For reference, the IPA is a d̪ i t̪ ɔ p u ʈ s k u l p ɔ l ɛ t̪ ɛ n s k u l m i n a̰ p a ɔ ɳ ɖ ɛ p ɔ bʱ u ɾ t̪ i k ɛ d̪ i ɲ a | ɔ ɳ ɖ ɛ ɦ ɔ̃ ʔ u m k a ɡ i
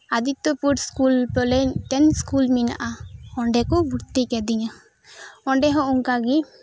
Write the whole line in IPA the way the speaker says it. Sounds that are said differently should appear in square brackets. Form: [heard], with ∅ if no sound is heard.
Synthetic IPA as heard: a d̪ i t̪ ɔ p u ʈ s k u l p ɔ l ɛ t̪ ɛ n s k u l m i n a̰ [ʔ] a ɔ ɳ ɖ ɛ [k] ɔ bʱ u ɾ t̪ i k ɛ d̪ i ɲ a | ɔ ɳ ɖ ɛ ɦ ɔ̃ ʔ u [ŋ] k a ɡ i